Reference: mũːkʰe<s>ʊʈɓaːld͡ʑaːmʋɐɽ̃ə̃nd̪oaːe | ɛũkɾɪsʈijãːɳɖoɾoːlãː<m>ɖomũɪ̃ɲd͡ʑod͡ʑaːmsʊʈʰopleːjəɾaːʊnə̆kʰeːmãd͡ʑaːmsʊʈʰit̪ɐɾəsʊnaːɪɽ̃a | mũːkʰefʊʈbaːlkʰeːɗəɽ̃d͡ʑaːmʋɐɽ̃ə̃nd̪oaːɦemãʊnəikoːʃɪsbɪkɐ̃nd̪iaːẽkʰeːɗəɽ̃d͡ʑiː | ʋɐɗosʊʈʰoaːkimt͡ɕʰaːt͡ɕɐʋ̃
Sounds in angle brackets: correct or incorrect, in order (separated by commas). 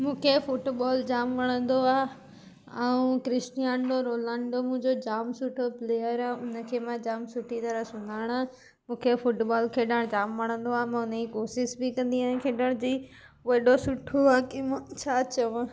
incorrect, incorrect